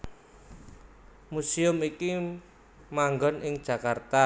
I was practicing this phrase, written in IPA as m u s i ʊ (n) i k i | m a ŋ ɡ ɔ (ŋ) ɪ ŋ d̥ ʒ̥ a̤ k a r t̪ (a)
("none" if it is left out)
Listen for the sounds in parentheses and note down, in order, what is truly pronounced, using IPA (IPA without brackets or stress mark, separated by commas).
m, n, a